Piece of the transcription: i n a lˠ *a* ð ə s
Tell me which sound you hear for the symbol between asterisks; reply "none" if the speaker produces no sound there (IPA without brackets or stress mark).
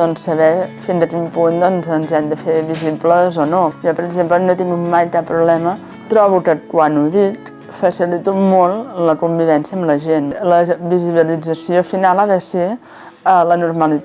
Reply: a